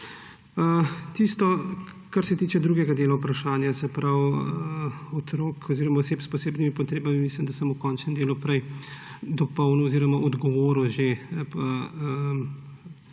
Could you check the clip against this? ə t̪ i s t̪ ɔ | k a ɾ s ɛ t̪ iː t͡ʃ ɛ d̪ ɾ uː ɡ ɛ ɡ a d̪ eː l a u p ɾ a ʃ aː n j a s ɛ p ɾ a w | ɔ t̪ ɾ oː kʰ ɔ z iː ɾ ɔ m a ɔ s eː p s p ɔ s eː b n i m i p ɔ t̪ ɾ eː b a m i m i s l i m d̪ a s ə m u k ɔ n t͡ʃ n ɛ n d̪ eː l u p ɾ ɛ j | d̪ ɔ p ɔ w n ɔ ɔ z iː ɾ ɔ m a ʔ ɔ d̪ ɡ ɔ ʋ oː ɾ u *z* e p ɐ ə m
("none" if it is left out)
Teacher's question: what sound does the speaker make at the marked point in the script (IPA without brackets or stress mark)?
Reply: ʒ